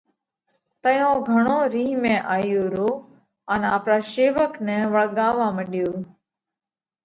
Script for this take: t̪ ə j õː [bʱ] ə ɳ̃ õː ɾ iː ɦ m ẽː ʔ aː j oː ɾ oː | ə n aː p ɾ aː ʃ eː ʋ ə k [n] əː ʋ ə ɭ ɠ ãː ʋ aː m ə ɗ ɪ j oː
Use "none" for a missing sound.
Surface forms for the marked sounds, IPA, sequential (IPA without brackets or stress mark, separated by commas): ɡʱ, n